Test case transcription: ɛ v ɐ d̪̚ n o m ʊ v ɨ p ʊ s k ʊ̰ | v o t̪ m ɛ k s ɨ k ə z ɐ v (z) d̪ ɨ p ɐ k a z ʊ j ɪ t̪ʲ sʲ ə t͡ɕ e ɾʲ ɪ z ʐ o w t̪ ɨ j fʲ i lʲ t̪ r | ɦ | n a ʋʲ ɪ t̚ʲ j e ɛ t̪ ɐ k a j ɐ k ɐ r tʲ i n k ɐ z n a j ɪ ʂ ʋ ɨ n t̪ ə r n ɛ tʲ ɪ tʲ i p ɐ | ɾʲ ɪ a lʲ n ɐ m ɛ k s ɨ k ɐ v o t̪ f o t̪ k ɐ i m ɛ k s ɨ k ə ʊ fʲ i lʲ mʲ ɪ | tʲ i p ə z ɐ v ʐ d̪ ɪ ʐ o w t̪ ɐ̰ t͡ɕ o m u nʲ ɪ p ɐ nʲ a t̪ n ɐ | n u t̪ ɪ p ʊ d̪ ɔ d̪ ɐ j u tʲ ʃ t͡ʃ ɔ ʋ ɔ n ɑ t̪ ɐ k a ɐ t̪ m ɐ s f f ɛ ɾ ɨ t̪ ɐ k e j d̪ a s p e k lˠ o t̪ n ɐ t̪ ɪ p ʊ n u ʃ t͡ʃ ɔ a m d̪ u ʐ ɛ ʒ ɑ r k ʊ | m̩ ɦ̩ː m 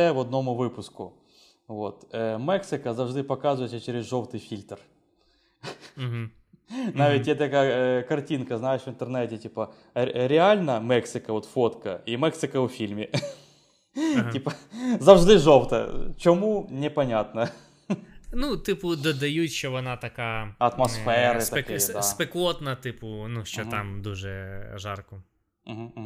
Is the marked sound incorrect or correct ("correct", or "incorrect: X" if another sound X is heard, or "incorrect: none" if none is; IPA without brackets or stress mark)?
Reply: incorrect: ʐ